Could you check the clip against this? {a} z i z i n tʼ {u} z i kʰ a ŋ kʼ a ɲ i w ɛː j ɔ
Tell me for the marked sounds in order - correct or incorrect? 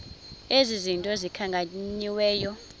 incorrect, incorrect

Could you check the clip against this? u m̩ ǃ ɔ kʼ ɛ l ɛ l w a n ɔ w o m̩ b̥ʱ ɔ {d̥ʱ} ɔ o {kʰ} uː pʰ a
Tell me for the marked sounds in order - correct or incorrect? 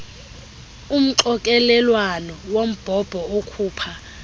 incorrect, correct

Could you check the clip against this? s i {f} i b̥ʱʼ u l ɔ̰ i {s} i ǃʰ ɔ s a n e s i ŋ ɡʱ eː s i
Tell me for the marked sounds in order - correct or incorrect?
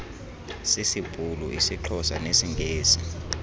incorrect, correct

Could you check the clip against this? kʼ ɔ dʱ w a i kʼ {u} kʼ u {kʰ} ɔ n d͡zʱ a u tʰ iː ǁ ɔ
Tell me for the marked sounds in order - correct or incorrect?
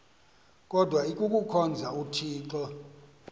correct, correct

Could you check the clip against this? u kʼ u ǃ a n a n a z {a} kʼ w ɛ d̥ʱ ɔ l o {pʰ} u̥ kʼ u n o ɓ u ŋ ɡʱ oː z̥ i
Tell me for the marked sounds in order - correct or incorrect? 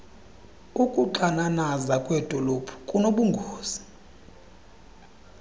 correct, correct

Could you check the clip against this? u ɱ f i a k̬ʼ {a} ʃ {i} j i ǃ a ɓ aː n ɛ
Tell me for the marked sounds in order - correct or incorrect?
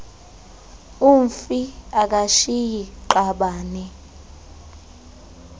correct, correct

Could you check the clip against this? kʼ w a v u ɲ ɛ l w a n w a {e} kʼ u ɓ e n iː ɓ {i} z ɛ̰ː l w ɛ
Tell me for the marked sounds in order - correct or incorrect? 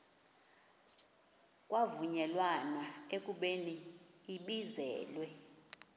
correct, correct

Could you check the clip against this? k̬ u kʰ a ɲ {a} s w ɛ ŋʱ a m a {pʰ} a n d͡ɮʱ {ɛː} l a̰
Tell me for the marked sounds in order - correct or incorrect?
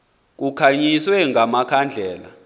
incorrect, incorrect, correct

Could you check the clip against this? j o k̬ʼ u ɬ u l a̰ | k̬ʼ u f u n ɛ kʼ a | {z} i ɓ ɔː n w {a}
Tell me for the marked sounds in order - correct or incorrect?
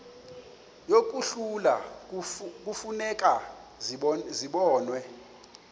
correct, incorrect

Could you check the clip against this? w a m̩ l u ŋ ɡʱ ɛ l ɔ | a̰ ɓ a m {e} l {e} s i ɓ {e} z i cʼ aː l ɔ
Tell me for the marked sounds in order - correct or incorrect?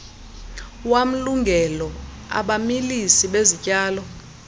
incorrect, incorrect, correct

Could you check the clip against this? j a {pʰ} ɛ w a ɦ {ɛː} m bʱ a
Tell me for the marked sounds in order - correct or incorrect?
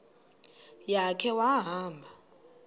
incorrect, incorrect

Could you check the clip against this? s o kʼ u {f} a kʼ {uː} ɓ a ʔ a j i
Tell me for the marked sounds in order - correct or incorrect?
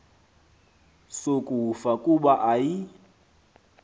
correct, incorrect

